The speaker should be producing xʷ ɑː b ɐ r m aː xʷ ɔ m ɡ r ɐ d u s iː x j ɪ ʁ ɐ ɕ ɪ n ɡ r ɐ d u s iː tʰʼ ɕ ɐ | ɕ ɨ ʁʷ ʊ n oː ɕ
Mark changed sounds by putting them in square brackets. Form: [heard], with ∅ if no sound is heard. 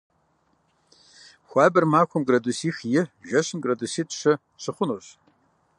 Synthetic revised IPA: xʷ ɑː b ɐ r m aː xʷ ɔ m ɡ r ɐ d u s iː x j ɪ [ʒ] ɐ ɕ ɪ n ɡ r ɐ d u s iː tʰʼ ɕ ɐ | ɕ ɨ [χʷ] ʊ n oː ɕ

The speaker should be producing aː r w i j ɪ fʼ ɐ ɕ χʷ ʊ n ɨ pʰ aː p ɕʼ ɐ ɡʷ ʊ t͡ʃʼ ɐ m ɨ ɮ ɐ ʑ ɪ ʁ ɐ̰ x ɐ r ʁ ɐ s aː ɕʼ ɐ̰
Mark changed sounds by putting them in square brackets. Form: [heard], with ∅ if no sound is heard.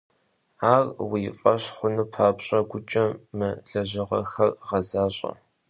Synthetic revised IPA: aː r w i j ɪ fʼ ɐ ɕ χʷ ʊ n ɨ pʰ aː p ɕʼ ɐ ɡʷ ʊ t͡ʃʼ ɐ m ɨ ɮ ɐ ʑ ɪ ʁ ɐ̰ x ɐ r ʁ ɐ [z] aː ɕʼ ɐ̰

